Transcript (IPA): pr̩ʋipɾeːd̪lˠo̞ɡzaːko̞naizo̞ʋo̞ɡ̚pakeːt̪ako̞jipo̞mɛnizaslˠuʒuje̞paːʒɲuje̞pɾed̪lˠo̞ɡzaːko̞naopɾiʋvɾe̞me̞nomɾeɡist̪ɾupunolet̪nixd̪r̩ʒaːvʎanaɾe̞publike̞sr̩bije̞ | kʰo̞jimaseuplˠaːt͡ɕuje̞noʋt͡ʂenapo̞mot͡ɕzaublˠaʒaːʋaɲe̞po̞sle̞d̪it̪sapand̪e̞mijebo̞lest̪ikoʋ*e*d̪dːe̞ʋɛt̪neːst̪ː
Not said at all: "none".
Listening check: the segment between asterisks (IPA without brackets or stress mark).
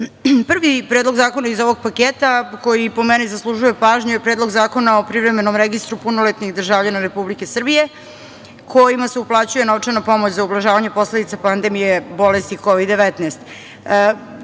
i